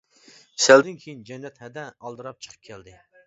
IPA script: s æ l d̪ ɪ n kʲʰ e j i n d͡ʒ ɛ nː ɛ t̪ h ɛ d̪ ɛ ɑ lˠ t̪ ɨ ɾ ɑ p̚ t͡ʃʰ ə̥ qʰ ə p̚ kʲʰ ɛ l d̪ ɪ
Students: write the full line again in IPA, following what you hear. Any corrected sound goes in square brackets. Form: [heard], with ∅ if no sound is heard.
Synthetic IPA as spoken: s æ l d̪ ɪ n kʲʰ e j i n d͡ʒ ɛ nː ɛ t̪ h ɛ d̪ ɛ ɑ lˠ [d̪] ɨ ɾ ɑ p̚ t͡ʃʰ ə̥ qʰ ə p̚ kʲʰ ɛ l d̪ ɪ